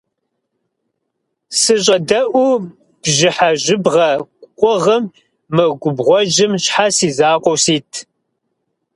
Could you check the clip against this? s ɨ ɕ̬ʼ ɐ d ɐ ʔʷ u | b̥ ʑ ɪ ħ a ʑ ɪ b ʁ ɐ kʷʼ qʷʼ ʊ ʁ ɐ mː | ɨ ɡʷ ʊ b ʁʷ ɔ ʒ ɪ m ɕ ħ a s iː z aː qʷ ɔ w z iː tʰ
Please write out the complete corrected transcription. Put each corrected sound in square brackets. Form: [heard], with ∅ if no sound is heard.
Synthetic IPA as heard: s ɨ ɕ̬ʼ ɐ d ɐ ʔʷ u | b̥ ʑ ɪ ħ a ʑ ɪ b ʁ ɐ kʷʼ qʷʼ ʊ ʁ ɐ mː | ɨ ɡʷ ʊ b ʁʷ ɔ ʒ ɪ m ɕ ħ a s iː z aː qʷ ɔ w [s] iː tʰ